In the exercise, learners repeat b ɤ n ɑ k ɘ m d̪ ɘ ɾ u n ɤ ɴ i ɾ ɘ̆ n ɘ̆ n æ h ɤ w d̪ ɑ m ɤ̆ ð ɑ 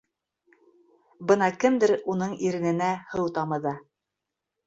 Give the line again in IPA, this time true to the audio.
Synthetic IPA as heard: b ɤ n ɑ k ɘ m d̪ ɘ ɾ u n ɤ ɴ i ɾ ɘ̆ n ɘ̆ n æ h ɤ w t̪ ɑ m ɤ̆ ð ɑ